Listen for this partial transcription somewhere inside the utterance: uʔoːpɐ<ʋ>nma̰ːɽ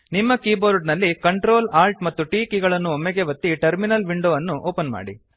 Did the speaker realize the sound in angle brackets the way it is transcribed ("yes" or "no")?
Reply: no